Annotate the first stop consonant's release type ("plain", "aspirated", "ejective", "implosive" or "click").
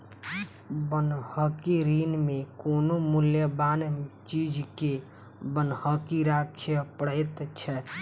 plain